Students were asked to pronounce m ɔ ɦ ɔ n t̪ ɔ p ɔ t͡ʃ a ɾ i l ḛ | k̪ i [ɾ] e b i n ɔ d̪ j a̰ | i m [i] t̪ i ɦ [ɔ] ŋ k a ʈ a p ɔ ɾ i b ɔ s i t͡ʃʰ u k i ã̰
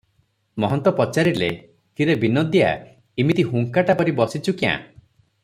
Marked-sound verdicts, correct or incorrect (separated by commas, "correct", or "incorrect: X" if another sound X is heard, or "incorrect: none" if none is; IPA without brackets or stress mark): correct, correct, incorrect: u